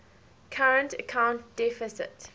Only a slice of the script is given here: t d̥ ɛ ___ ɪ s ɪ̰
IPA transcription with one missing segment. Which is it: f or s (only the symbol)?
f